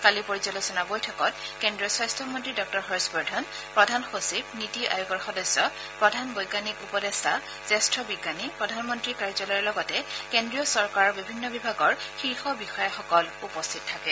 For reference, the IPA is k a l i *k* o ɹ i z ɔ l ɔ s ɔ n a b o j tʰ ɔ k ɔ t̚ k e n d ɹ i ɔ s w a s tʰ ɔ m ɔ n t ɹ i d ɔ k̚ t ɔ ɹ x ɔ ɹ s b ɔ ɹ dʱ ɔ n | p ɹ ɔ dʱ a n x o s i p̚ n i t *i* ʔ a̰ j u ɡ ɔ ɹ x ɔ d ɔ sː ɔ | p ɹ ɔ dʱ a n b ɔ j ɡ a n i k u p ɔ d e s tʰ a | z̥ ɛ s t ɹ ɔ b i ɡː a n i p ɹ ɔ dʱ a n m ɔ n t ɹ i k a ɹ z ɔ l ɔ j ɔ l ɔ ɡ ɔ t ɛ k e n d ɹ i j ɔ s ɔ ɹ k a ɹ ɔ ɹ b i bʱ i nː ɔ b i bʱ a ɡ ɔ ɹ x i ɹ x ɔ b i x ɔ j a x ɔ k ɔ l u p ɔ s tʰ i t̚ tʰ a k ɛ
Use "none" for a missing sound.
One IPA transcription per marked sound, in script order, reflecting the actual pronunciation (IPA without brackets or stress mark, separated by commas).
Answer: p, i